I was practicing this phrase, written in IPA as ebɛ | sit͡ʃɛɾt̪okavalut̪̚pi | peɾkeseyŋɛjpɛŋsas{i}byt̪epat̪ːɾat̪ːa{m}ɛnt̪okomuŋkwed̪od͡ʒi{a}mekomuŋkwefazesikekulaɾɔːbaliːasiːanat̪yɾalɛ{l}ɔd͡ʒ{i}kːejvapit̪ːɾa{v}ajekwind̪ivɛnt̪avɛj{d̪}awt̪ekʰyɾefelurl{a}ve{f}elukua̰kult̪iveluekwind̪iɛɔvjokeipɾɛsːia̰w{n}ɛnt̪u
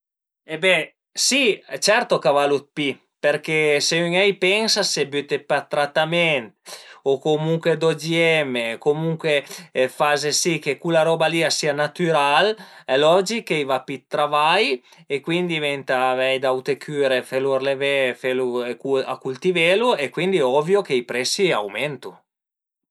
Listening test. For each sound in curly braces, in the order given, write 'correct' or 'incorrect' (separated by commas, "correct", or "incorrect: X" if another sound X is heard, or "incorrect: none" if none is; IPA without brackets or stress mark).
incorrect: e, correct, incorrect: ɛ, correct, correct, correct, correct, incorrect: e, correct, incorrect: m